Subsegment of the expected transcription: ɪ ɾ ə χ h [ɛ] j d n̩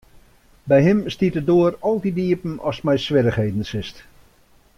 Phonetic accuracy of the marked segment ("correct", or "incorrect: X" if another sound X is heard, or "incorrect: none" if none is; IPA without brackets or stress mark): incorrect: e